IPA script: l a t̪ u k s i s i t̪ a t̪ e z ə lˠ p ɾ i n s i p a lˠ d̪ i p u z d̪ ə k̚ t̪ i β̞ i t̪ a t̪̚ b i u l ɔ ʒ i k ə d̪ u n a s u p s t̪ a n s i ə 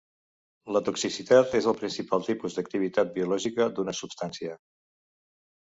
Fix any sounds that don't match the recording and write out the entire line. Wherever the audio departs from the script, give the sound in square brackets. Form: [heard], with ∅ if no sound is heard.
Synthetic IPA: l [ə] t̪ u k s i s i t̪ a t̪ e z ə lˠ p ɾ i n s i p a lˠ [t̪] i p u z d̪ ə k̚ t̪ i β̞ i t̪ a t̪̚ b i u l ɔ ʒ i k ə d̪ u n [ə] s u p s t̪ a n s i ə